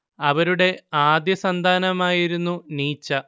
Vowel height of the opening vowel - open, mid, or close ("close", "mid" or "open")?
open